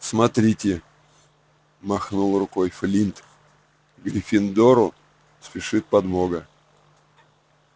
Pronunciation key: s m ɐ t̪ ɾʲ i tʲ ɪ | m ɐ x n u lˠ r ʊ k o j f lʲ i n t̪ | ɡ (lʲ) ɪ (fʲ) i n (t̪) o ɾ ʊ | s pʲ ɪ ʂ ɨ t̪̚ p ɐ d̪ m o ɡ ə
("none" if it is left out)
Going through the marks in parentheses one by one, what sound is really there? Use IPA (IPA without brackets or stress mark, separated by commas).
ɾʲ, fʲ, d̪